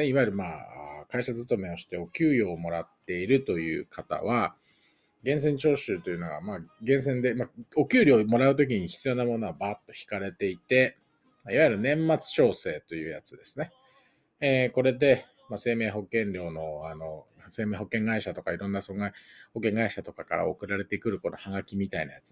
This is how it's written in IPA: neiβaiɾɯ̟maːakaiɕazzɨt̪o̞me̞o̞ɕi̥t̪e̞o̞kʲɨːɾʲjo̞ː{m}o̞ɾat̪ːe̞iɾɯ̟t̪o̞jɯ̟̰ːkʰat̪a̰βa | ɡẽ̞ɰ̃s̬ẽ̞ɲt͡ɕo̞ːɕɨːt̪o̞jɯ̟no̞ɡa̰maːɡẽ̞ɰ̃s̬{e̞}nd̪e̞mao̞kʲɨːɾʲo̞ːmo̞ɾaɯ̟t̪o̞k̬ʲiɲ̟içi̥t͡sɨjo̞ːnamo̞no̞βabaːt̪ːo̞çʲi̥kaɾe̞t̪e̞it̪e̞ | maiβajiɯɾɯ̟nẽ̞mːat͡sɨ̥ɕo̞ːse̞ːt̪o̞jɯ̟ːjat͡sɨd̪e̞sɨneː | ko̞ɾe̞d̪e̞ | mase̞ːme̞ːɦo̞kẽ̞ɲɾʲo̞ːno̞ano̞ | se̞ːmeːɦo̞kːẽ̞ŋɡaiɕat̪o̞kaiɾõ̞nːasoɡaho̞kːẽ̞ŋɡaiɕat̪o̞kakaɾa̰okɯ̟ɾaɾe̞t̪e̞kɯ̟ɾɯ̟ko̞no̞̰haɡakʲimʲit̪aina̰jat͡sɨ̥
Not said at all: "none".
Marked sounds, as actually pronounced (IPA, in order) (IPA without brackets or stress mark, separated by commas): m, ẽ̞